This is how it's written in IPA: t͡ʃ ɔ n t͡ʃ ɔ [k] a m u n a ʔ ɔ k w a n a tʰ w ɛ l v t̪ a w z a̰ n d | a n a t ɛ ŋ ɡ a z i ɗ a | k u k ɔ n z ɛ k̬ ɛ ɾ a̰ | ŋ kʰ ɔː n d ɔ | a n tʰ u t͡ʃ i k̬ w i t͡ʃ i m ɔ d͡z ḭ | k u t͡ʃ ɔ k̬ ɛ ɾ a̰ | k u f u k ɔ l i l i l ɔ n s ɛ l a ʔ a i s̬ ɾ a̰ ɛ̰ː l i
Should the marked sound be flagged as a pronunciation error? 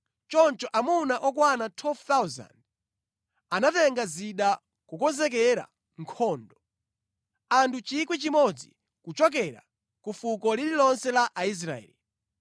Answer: yes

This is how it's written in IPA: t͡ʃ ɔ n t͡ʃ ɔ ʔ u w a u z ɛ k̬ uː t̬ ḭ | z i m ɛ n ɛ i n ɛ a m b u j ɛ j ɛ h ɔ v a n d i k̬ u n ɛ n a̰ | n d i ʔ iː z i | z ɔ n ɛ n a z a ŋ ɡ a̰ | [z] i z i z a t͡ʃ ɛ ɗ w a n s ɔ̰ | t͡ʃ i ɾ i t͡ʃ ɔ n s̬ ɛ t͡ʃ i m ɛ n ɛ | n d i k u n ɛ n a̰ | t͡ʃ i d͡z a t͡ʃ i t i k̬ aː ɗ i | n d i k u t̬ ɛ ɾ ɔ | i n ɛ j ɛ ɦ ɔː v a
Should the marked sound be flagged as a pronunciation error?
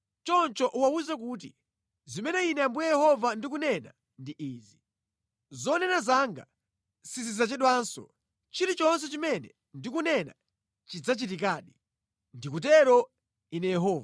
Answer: yes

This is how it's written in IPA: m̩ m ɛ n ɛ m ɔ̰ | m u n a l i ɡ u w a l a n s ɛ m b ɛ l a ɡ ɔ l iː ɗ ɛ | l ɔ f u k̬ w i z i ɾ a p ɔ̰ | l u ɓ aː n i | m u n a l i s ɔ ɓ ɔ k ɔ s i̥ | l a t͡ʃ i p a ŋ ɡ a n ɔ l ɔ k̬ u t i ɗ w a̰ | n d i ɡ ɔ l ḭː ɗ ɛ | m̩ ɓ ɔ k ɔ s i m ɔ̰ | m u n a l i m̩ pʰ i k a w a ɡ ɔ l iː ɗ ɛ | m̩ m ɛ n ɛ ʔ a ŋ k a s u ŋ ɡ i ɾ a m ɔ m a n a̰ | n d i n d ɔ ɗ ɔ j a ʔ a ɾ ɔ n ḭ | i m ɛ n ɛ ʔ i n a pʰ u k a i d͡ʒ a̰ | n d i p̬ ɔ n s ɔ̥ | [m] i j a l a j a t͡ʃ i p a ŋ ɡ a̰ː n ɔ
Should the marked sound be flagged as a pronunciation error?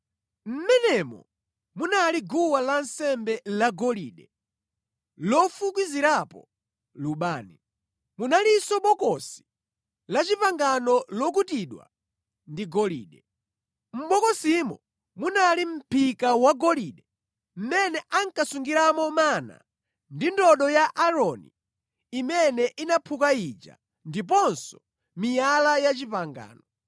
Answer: no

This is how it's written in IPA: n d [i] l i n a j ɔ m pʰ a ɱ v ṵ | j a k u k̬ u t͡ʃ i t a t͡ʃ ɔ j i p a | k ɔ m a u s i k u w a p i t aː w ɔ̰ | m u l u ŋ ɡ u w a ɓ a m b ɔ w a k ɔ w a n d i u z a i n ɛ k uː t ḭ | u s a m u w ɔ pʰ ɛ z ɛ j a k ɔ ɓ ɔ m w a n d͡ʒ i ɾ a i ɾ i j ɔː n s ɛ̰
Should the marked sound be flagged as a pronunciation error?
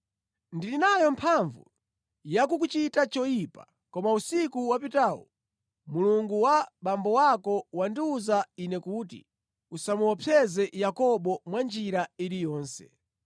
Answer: no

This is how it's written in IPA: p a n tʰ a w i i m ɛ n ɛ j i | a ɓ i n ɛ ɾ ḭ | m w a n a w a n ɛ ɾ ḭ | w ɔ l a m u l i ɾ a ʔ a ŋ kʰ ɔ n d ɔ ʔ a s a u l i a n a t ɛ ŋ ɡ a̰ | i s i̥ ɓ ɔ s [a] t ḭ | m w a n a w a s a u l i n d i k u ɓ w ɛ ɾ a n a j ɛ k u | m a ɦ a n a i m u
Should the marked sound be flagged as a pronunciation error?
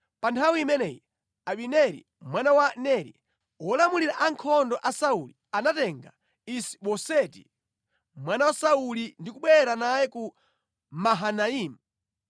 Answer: yes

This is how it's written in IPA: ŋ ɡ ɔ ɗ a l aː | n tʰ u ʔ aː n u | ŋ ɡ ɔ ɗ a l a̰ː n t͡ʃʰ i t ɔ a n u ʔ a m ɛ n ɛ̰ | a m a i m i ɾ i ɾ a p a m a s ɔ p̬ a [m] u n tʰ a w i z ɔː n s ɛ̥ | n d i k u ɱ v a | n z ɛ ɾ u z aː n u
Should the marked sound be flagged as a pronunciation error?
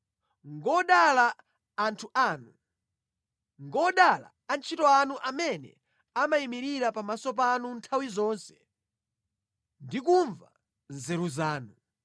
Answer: yes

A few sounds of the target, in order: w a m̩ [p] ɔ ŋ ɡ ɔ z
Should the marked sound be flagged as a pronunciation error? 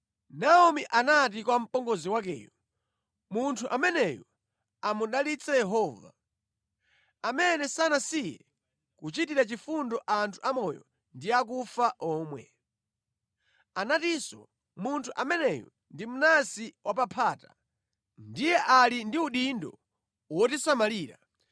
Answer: no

